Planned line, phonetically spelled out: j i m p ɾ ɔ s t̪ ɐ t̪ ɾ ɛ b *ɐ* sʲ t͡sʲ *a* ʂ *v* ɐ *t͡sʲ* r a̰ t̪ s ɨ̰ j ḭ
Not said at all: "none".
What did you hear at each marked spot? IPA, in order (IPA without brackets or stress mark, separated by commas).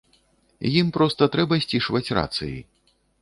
ɐ, i, v, t͡sʲ